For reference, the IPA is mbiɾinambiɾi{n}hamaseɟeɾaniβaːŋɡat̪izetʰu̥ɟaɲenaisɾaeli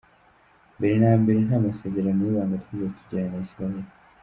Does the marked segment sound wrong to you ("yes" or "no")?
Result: no